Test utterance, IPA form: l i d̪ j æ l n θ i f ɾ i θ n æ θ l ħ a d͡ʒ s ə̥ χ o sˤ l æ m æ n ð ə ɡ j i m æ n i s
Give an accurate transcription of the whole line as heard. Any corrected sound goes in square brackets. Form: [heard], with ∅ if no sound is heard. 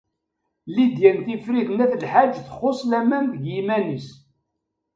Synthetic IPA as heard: l i d̪ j æ [∅] n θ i f ɾ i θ n æ θ l ħ a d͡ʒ [θ] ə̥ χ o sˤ l æ m æ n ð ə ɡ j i m æ n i s